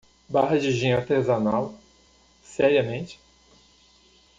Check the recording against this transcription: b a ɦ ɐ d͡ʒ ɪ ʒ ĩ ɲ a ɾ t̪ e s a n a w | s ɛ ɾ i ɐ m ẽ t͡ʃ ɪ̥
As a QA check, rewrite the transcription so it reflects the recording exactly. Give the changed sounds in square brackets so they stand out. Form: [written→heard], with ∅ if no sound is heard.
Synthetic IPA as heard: b a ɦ ɐ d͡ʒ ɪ ʒ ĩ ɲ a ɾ t̪ e [s→z] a n a w | s ɛ ɾ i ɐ m ẽ t͡ʃ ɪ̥